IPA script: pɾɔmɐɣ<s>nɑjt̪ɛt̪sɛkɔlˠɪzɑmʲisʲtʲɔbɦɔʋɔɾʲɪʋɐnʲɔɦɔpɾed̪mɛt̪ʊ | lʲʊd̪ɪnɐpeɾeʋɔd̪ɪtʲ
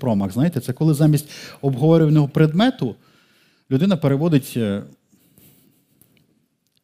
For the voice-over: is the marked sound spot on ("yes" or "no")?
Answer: no